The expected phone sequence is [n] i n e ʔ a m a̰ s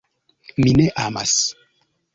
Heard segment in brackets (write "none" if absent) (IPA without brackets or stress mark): m